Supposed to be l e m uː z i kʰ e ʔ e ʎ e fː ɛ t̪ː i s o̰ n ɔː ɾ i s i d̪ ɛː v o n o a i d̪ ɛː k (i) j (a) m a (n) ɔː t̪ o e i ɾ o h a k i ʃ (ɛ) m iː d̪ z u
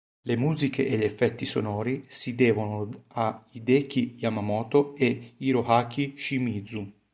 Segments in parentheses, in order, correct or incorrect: correct, correct, incorrect: m, incorrect: i

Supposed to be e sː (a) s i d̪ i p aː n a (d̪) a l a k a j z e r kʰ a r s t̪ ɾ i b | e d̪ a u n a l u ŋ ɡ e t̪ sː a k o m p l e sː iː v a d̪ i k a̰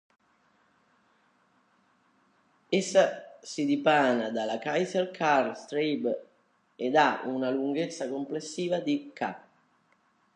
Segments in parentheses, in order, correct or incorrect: correct, correct

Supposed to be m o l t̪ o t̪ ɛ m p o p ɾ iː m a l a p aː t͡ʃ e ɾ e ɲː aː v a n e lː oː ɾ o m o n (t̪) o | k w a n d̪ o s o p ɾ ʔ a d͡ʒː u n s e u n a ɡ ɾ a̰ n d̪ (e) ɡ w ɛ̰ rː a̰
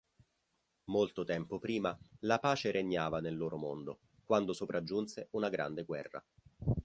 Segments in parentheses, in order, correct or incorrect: incorrect: d̪, correct

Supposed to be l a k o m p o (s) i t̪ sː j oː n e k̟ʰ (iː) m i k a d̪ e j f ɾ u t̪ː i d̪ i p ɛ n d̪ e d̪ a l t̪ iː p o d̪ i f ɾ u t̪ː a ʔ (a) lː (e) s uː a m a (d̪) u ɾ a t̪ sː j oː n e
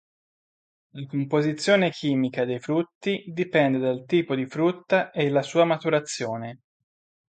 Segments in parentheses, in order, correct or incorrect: incorrect: z, correct, incorrect: e, incorrect: a, incorrect: t̪

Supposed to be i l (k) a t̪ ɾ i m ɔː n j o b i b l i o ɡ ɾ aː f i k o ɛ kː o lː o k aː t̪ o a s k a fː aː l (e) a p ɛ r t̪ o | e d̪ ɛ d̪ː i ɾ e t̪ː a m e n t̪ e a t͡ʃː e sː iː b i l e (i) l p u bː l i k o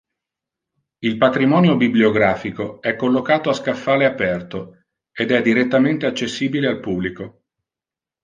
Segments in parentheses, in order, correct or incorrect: incorrect: p, correct, incorrect: a

